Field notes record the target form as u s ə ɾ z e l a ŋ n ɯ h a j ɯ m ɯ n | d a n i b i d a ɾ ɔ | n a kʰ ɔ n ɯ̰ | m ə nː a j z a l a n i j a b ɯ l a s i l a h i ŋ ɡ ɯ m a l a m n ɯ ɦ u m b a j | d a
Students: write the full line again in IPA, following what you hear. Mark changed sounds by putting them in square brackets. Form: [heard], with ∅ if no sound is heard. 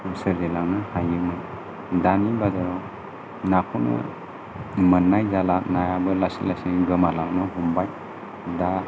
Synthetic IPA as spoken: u s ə ɾ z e l a ŋ n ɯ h a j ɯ m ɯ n | d a n i b [a] d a ɾ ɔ | n a kʰ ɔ n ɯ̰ | m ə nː a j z a l a n [a] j a b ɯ l a s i l a [s] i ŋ ɡ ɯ m a l a [ŋ] n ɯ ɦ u m b a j | d a